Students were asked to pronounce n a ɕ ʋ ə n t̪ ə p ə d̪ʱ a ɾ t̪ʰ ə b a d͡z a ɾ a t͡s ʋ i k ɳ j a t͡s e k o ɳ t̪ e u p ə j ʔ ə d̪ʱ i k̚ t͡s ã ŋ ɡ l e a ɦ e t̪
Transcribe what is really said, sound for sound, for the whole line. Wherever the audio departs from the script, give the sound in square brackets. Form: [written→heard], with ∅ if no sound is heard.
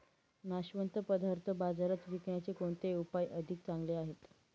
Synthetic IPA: n a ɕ ʋ ə n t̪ ə p ə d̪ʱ a ɾ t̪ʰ ə b a d͡z a ɾ a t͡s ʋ i k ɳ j a t͡s e k o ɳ t̪ e u p [ə→a] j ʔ ə d̪ʱ i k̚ t͡s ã ŋ ɡ l e a ɦ e t̪